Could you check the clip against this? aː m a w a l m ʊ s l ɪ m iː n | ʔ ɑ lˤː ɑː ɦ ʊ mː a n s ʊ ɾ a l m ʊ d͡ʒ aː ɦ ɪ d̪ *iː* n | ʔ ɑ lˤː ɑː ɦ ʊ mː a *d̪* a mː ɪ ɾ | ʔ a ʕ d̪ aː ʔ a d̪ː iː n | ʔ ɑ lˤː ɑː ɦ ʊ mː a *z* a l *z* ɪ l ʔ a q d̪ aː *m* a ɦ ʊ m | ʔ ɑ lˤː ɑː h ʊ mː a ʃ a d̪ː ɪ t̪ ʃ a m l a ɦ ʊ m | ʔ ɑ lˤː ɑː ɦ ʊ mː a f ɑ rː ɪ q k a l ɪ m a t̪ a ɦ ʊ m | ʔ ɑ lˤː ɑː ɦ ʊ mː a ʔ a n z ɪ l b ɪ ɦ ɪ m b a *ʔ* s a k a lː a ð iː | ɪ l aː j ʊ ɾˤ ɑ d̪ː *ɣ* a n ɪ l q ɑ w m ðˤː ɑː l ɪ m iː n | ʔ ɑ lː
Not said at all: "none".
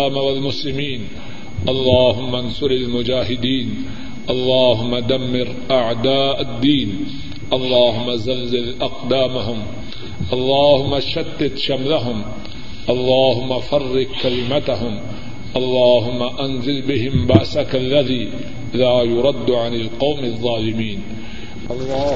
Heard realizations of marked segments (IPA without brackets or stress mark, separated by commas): iː, d̪, z, z, m, ʔ, ʕ